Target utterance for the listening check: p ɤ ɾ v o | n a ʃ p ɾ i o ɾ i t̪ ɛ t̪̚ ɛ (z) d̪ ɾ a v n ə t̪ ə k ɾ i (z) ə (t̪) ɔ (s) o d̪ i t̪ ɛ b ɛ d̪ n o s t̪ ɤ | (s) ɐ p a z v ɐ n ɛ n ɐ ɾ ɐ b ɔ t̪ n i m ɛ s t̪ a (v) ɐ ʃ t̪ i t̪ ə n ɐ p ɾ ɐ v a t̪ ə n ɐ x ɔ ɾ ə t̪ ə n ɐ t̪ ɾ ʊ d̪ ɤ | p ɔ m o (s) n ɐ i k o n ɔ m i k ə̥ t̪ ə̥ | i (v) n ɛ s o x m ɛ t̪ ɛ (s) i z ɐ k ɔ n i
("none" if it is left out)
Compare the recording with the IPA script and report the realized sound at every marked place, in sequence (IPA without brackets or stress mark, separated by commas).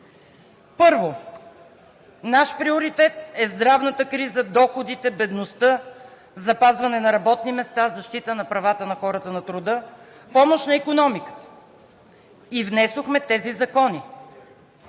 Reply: z, z, d̪, x, z, z, ʃ, v, z